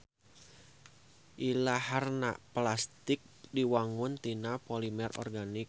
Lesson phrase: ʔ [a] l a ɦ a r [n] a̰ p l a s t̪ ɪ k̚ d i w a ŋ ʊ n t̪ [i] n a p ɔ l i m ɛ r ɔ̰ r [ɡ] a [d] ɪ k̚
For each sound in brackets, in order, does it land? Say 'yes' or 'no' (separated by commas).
no, yes, yes, yes, no